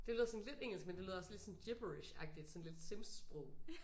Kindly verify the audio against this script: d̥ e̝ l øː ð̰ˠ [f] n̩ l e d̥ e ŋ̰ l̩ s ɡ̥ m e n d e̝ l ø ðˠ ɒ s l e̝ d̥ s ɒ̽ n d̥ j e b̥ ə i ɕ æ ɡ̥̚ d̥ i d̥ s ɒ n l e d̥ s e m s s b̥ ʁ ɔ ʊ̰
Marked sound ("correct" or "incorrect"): incorrect